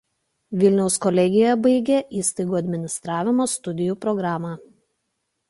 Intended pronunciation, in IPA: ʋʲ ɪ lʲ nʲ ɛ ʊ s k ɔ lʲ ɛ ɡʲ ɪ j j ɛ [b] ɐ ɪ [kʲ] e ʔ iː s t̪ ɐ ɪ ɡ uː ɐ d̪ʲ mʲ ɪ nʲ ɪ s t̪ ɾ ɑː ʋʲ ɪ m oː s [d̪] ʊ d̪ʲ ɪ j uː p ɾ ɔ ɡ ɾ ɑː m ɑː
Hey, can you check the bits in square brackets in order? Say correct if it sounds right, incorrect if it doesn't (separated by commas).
correct, incorrect, incorrect